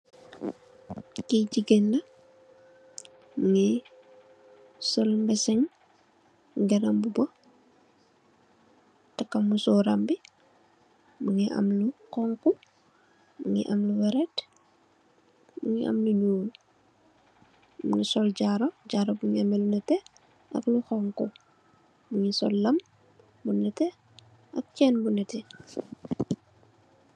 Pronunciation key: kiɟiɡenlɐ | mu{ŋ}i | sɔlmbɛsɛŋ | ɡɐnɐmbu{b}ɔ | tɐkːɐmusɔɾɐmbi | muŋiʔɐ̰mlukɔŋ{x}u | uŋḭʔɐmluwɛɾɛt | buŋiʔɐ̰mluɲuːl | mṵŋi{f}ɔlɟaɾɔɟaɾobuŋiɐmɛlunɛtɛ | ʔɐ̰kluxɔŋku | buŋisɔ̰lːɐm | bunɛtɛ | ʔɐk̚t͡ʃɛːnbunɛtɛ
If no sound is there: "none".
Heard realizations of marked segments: ŋ, b, k, s

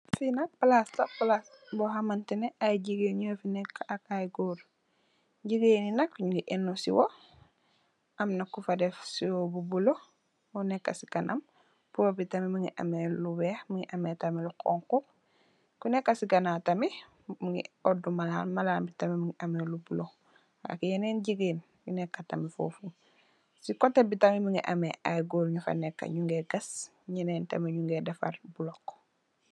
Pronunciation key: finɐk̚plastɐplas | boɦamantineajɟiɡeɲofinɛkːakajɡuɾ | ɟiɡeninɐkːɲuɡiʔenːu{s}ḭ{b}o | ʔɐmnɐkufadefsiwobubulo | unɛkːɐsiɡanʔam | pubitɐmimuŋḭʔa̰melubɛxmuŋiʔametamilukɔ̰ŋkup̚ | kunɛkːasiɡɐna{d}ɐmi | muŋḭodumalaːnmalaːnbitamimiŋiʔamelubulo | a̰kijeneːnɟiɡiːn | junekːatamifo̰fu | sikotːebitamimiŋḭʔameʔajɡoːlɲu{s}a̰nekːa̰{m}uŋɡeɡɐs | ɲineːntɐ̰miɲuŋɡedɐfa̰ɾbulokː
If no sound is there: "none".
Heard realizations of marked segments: s, w, t, f, ɲ

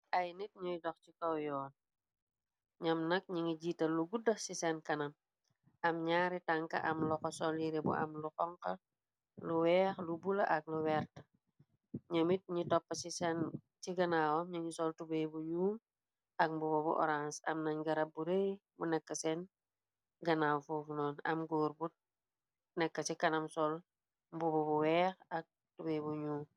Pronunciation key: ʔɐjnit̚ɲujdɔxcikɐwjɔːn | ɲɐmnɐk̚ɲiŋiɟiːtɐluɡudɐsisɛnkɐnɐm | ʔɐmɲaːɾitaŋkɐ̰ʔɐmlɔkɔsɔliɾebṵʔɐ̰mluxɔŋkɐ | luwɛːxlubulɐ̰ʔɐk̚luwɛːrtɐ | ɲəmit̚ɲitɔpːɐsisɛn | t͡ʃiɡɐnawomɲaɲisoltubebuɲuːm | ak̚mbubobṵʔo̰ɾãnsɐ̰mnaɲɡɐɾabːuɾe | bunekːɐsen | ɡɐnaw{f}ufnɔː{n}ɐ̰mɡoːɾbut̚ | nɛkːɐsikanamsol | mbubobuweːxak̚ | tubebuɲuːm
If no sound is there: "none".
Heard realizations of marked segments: f, n

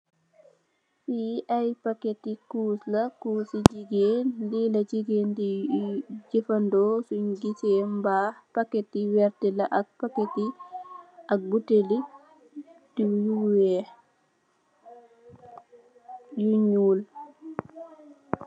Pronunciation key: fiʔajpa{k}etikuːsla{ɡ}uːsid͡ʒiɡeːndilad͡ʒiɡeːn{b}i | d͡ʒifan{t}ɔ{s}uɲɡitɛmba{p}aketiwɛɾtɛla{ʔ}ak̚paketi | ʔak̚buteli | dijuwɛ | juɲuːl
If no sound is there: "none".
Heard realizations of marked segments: k, k, d, d, s, p, ʔ

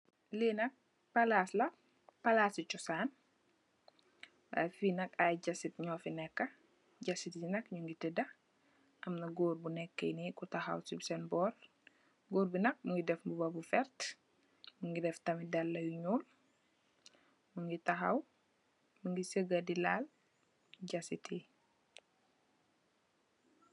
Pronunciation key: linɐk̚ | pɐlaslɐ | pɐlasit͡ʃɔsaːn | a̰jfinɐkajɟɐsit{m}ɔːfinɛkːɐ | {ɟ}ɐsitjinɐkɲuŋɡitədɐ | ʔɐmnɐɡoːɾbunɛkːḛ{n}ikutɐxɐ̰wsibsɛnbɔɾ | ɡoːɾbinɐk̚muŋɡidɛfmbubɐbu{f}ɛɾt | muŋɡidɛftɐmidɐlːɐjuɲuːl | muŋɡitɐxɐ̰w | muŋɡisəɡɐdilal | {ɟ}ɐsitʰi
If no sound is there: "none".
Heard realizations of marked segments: ɲ, ɟ, n, f, ɟ

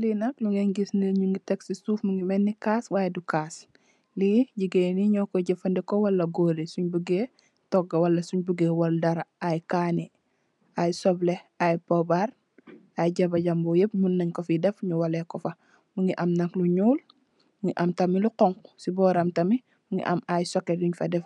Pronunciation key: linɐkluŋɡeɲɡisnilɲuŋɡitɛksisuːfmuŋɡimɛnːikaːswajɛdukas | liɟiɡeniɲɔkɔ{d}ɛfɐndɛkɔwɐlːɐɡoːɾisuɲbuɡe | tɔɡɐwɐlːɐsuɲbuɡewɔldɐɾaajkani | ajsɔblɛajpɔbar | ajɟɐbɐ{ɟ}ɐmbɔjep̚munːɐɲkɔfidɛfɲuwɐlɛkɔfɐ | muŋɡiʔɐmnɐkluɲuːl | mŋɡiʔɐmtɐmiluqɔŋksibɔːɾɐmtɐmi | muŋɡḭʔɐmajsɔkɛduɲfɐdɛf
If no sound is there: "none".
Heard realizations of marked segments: ɟ, ɟ

